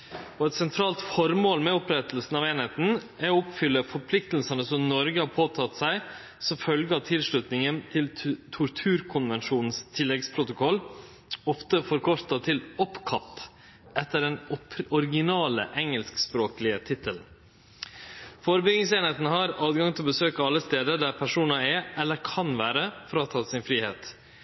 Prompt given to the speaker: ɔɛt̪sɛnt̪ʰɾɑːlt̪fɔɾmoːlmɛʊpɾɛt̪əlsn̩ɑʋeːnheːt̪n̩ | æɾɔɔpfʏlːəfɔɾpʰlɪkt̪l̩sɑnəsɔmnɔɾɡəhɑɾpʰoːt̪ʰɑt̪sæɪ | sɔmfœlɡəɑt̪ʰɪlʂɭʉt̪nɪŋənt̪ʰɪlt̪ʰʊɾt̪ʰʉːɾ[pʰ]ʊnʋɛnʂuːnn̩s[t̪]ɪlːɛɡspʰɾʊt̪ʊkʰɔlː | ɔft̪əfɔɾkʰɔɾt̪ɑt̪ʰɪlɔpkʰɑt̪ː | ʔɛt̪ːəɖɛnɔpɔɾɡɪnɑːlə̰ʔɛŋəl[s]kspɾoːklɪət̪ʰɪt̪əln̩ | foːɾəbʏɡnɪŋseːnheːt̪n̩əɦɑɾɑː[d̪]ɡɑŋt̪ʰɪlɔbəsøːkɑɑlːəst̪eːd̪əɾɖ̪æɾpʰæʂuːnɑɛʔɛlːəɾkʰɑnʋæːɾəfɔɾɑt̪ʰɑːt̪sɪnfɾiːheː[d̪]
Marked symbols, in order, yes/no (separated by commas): no, no, yes, yes, no